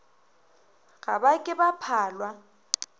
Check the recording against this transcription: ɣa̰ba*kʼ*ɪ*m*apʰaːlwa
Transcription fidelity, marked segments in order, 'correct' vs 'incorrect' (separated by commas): correct, incorrect